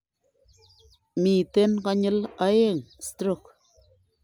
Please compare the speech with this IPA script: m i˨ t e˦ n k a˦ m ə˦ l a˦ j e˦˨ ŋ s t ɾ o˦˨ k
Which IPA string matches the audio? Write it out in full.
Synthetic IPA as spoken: m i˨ t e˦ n k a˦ ɲ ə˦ l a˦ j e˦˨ ŋ s t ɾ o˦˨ k